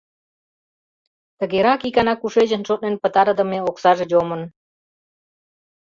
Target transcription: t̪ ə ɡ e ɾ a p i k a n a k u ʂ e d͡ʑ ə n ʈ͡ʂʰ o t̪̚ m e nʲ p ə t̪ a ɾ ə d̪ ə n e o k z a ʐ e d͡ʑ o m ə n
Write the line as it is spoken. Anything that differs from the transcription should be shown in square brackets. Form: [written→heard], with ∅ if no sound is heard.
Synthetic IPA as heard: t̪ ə ɡ e ɾ a [p→k] i k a n a k u ʂ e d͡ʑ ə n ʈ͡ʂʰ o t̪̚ [m→n] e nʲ p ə t̪ a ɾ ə d̪ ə [n→m] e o k [z→s] a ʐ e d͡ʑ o m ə n